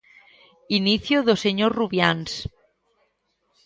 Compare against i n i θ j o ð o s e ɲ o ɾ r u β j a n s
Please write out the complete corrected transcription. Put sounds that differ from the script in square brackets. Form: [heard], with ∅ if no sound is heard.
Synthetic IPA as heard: i n i θ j o ð o s e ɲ o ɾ r u β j a n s